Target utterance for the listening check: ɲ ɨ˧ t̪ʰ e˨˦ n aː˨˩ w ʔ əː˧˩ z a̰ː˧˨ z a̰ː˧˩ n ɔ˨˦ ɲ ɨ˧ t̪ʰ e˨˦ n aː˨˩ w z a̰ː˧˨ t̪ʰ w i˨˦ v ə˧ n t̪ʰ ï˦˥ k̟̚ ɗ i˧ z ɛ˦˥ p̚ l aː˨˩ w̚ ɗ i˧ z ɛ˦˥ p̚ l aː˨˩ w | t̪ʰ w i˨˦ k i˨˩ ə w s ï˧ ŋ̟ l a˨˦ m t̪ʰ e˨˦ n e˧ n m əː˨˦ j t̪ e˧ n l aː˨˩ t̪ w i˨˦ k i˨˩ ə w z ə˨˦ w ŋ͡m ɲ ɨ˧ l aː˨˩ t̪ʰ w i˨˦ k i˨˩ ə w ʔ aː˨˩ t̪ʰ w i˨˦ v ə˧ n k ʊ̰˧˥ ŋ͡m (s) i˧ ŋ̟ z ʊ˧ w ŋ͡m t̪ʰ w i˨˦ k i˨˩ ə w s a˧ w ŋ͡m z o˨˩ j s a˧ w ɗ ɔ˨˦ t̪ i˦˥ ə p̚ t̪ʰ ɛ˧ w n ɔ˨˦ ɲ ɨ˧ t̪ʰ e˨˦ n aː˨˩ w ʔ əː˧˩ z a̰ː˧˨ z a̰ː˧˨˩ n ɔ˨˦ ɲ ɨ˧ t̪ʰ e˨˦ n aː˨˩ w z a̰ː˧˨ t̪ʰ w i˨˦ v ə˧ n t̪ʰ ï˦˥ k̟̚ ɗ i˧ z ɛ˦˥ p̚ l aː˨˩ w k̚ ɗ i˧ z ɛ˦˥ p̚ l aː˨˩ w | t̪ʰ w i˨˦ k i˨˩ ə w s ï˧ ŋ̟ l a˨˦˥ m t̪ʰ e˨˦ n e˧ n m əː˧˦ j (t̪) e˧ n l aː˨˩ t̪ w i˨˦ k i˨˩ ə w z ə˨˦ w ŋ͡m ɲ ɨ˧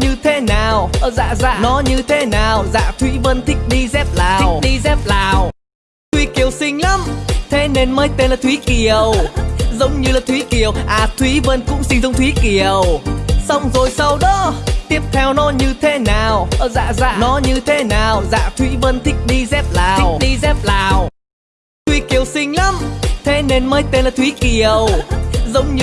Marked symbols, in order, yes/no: yes, yes

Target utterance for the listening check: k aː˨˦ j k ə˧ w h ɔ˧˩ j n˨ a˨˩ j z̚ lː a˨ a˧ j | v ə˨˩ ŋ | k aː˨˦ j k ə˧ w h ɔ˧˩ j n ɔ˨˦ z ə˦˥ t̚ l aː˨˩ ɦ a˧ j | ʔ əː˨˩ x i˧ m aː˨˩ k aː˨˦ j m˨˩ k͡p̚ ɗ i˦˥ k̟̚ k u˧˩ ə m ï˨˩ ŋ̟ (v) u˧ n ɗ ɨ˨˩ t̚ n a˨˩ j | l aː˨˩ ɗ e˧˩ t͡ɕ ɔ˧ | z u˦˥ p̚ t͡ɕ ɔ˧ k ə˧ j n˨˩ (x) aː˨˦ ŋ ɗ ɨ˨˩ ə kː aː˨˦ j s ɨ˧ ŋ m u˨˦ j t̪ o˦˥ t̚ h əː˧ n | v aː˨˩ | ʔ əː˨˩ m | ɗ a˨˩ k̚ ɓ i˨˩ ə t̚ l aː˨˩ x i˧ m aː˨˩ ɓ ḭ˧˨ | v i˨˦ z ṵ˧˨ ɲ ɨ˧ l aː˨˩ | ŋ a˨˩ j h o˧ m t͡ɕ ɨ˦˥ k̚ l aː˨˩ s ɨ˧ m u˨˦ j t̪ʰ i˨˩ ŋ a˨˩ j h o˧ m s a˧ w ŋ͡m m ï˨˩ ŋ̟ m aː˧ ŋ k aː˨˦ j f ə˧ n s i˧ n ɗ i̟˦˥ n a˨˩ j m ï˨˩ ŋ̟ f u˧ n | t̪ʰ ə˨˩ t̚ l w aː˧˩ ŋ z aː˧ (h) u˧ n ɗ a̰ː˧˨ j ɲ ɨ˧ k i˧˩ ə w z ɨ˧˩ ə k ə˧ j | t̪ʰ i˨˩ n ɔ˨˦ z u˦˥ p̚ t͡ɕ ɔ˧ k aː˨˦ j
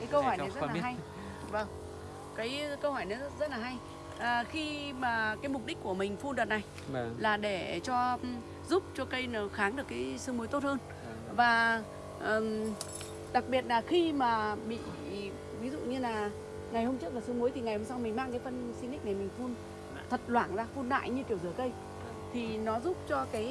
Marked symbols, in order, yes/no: no, yes, no

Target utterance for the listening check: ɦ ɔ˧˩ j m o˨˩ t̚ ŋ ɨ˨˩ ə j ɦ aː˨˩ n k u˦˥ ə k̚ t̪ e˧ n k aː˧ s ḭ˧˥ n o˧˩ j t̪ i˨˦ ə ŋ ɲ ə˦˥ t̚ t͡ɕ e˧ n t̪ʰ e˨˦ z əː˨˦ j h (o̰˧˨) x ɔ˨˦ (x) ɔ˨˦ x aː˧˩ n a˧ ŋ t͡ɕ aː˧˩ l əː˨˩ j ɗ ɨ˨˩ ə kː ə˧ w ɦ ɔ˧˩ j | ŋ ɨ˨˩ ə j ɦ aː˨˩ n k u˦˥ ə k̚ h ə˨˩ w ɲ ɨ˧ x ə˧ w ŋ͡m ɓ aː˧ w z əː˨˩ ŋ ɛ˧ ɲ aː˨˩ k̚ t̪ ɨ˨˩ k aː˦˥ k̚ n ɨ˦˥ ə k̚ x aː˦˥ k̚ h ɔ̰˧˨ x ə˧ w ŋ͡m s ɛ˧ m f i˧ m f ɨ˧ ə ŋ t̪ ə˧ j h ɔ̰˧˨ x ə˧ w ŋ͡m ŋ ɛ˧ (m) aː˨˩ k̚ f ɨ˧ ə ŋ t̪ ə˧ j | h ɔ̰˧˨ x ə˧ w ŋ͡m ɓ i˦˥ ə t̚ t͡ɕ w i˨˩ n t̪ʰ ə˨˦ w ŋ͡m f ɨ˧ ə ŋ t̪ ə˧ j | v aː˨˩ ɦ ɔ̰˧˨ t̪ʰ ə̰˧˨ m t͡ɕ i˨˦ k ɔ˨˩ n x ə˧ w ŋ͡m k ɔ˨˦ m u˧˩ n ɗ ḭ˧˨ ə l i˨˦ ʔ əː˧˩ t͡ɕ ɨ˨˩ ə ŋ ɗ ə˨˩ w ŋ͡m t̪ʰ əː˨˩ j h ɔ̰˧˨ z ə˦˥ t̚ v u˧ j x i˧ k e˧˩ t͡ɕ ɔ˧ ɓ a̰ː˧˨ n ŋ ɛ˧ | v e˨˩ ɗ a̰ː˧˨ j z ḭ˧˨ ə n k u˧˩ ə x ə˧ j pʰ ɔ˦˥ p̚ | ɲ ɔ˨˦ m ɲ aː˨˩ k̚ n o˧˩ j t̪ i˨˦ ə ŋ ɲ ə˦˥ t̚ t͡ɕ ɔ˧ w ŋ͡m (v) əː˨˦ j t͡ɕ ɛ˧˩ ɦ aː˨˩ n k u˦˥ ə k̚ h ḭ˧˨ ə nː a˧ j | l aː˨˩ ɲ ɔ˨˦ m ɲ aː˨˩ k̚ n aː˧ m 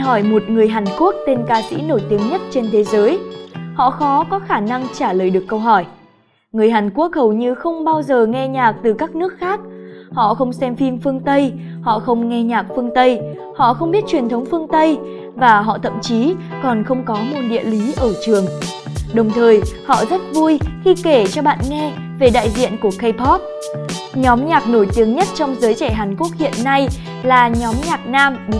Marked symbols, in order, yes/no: no, no, no, no

